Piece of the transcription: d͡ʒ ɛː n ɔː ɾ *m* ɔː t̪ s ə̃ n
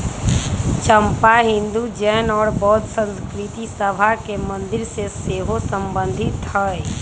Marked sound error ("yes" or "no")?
yes